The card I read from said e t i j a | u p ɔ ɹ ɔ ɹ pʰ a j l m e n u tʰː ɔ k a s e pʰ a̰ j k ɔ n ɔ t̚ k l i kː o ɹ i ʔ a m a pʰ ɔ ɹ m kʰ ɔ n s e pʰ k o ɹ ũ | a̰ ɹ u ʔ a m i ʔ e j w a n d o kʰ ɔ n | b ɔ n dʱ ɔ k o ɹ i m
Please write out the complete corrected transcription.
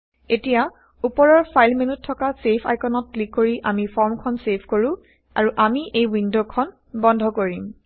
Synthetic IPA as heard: e t i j a | u p ɔ ɹ ɔ ɹ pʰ a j l m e n u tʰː ɔ k a s e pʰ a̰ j k ɔ n ɔ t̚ k l i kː o ɹ i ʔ a m i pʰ ɔ ɹ m kʰ ɔ n s e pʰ k o ɹ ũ | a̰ ɹ u ʔ a m i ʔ e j w i n d o kʰ ɔ n | b ɔ n dʱ ɔ k o ɹ i m